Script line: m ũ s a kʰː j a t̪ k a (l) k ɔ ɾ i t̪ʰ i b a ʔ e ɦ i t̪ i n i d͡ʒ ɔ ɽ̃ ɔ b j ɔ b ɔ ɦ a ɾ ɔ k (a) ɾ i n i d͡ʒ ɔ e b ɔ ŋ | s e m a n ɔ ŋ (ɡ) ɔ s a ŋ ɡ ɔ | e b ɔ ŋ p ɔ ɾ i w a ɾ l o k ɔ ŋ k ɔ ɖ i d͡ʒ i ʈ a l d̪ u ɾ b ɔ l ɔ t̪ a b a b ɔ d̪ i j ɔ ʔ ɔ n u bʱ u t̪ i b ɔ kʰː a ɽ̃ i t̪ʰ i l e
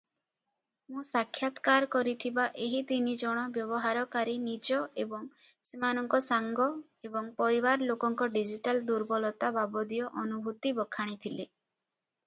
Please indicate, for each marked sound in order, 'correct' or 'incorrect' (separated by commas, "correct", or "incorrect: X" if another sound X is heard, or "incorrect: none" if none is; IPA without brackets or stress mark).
incorrect: ɾ, correct, incorrect: k